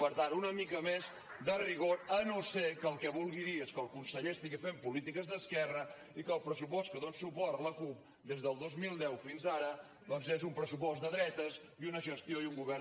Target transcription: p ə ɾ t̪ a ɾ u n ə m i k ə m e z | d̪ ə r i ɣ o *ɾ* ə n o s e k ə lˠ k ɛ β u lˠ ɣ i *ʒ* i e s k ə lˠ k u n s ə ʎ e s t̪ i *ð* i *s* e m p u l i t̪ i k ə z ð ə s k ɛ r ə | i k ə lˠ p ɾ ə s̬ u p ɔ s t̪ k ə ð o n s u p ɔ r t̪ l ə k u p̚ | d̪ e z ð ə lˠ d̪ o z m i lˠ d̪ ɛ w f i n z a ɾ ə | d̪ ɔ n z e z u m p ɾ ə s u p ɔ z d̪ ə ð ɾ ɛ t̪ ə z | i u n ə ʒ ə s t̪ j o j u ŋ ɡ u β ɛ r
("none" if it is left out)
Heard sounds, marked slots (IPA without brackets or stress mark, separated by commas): ɾ, ð, ɣ, f